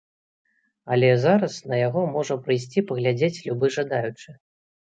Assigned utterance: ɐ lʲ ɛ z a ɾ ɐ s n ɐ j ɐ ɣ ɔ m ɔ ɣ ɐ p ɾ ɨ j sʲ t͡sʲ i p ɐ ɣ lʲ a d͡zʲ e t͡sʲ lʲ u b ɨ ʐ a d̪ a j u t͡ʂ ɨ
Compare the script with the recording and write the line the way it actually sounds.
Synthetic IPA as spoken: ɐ lʲ ɛ z a ɾ ɐ s n ɐ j a ɣ ɔ m ɔ ʐ ɐ p ɾ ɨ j sʲ t͡sʲ i p ɐ ɣ lʲ a d͡zʲ e t͡sʲ lʲ u b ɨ ʐ a d̪ a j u t͡ʂ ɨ